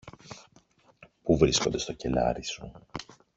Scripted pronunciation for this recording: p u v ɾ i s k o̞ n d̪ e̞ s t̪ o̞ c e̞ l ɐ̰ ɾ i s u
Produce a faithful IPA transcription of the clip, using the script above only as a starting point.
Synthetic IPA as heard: p u v ɾ i s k o̞ n d̪ e̞ s t̪ o̞ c e̞ l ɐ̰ ɾ i s u